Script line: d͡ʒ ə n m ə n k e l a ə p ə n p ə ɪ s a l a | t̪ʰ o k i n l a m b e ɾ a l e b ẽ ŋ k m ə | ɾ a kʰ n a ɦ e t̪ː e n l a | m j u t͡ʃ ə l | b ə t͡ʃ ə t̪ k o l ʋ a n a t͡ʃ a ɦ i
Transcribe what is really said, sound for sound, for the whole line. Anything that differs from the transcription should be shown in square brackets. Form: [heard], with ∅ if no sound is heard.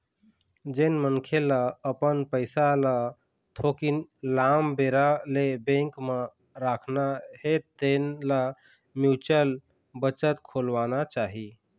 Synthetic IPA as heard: d͡ʒ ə n m ə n [kʰ] e l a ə p ə n p ə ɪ s a l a | t̪ʰ o k i n l a m b e ɾ a l e b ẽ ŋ k m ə | ɾ a kʰ n a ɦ e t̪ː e n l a | m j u t͡ʃ ə l | b ə t͡ʃ ə t̪ [kʰ] o l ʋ a n a t͡ʃ a ɦ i